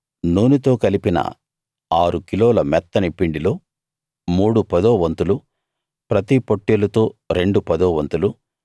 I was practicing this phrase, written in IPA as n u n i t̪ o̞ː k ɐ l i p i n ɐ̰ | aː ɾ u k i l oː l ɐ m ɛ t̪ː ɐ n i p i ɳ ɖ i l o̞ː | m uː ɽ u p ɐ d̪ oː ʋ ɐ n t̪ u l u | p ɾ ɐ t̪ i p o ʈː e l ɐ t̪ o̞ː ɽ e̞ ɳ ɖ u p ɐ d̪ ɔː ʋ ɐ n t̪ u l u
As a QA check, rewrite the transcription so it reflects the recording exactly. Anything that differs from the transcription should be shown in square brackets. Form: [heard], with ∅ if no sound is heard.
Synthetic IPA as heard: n [uː] n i t̪ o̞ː k ɐ l i p i n ɐ̰ | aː ɾ u k i l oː l ɐ m ɛ t̪ː ɐ n i p i ɳ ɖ i l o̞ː | m uː ɽ u p ɐ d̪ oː ʋ ɐ n t̪ u l u | p ɾ ɐ t̪ i p o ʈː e l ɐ t̪ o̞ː [ɾ] e̞ ɳ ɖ u p ɐ d̪ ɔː ʋ ɐ n t̪ u l u